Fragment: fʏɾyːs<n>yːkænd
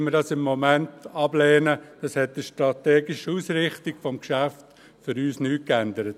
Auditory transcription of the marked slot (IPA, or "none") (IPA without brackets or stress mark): n